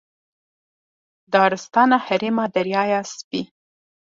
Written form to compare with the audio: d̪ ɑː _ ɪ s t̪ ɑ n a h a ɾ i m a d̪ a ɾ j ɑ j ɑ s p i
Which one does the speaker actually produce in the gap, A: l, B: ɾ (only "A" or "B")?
B